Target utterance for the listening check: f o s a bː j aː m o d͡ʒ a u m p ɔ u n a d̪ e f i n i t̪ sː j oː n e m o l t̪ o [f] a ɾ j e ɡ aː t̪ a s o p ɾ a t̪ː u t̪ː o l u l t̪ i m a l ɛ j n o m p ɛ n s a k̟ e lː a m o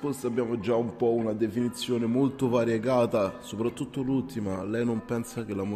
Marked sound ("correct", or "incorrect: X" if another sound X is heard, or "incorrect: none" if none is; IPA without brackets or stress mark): incorrect: v